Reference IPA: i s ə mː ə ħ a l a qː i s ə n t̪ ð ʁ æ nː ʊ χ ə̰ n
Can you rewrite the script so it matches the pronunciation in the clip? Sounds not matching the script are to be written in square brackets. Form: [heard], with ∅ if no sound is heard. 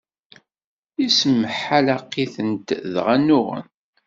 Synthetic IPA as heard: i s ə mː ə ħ a l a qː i [θ] ə n t̪ ð ʁ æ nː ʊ [ʁ] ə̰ n